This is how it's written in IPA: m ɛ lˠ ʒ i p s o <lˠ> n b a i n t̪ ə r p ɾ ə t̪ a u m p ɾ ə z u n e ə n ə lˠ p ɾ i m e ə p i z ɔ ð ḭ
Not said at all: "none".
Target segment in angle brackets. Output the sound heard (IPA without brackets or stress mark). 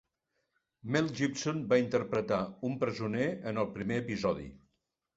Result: none